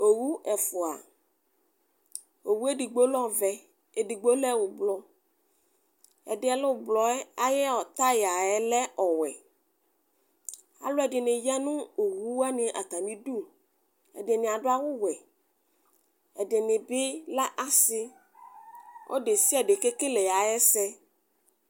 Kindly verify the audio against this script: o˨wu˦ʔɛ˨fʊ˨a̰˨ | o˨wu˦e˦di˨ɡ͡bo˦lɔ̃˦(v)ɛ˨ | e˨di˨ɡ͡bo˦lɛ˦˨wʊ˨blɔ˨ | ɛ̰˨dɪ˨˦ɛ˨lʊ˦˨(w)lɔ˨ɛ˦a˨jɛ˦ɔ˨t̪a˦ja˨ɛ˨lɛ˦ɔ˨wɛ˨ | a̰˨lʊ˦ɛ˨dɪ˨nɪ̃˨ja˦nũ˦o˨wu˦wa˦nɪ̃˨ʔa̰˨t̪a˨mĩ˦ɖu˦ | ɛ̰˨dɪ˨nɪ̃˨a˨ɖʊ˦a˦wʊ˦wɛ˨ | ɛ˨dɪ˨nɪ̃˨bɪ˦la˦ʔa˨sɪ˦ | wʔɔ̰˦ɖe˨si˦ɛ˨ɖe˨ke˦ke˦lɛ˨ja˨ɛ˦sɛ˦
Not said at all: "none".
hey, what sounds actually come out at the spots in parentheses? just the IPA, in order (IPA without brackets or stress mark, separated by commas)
v, b